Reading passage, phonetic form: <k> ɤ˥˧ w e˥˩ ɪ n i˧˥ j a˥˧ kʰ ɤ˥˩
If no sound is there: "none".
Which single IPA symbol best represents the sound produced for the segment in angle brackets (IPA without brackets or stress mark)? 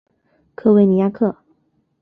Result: kʰ